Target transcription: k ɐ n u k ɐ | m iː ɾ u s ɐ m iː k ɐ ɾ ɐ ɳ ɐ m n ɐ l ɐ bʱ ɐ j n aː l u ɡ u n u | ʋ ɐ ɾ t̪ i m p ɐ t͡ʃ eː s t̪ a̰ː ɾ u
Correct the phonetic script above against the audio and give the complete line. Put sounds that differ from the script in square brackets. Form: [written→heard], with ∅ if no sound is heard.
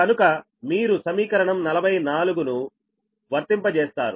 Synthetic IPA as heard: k ɐ n u k ɐ | m iː ɾ u s ɐ m iː k ɐ ɾ ɐ ɳ ɐ m n ɐ l ɐ bʱ ɐ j n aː l u ɡ u n u | ʋ ɐ ɾ t̪ i m p ɐ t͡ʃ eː s t̪ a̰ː ɾ u